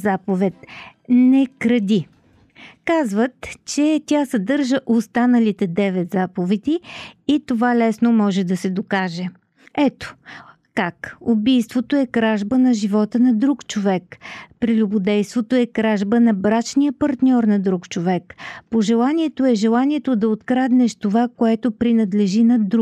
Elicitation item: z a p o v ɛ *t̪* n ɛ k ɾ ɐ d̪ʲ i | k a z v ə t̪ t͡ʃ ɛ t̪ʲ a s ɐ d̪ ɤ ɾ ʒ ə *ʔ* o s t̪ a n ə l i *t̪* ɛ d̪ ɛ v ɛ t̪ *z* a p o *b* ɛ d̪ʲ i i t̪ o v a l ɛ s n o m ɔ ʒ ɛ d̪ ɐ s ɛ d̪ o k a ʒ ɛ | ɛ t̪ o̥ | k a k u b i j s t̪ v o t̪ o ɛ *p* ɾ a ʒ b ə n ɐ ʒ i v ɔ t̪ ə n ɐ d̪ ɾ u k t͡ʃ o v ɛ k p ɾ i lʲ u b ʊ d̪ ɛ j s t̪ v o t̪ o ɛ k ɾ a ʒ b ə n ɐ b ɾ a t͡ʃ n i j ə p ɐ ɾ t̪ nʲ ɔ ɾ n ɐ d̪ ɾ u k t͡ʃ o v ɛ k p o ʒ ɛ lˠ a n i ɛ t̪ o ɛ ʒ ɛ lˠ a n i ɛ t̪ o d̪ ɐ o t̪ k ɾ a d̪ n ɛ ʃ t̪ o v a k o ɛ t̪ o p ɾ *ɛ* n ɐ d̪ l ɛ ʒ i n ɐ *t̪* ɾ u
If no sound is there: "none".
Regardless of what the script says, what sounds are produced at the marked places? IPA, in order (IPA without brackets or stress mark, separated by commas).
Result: t̪, ʔ, t̪, z, v, k, i, d̪